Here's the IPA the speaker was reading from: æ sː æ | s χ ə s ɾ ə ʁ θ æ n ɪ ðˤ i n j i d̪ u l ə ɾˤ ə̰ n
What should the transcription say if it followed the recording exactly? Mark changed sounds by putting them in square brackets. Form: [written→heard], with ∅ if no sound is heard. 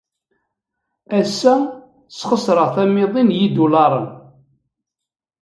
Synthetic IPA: æ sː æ | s χ ə s ɾ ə ʁ θ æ [n→m] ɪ ðˤ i n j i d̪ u l [ə→ɑ] ɾˤ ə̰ n